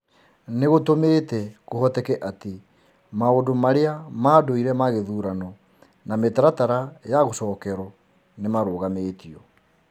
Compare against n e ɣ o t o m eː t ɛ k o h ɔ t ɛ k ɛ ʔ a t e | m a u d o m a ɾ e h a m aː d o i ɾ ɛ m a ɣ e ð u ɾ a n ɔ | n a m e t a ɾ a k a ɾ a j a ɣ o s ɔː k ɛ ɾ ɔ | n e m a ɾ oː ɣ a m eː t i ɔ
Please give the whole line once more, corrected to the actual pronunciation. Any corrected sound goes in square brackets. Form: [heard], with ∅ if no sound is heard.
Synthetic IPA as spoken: n e ɣ o t o m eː t ɛ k o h ɔ t ɛ k ɛ ʔ a t e | m a [o] d o m a ɾ e [∅] a m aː d o i ɾ ɛ m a ɣ e ð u ɾ a n ɔ | n a m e t a ɾ a [t] a ɾ a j a ɣ o s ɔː k ɛ ɾ ɔ | n e m a ɾ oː ɣ a m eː t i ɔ